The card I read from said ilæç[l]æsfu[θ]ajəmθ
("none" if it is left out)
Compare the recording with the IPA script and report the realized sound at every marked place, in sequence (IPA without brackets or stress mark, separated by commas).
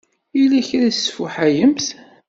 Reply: ɾ, ħ